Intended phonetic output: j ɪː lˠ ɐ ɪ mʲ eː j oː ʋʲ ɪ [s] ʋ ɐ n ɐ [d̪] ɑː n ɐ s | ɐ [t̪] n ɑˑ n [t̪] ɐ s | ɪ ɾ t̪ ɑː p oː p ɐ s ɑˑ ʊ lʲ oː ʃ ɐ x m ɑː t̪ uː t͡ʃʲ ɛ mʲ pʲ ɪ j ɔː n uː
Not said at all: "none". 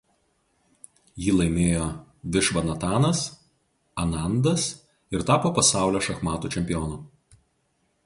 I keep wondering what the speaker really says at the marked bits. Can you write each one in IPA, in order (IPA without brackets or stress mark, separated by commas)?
ʃ, t̪, none, d̪